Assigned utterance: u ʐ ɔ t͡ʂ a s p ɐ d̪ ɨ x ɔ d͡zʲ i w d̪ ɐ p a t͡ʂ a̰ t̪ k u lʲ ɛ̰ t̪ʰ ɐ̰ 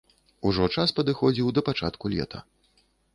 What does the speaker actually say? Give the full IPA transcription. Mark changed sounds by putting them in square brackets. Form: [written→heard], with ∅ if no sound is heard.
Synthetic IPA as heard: u ʐ ɔ t͡ʂ a s p ɐ d̪ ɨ x ɔ d͡zʲ i w d̪ ɐ p a t͡ʂ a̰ t̪ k u lʲ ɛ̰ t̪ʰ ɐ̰